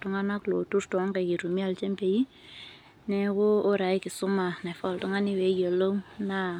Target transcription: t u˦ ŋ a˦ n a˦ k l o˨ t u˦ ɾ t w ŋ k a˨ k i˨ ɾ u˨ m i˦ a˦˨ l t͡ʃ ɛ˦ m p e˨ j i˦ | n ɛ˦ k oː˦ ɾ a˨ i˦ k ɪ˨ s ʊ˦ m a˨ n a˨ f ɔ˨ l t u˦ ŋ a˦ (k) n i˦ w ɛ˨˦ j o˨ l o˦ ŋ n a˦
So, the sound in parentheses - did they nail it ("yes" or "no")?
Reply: no